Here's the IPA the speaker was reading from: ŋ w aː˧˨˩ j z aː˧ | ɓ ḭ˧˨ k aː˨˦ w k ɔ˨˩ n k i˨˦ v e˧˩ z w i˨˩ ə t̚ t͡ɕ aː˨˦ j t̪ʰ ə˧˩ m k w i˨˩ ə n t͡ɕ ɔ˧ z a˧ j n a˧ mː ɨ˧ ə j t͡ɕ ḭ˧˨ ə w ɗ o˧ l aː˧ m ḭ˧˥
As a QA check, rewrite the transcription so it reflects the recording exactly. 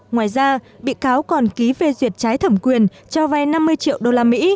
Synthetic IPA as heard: ŋ w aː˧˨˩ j z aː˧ | ɓ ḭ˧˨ k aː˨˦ w k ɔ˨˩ n k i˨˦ v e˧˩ z w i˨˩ ə t̚ t͡ɕ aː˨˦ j t̪ʰ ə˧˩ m k w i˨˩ ə n t͡ɕ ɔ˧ v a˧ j n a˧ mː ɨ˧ ə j t͡ɕ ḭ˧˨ ə w ɗ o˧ l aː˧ m ḭ˧˥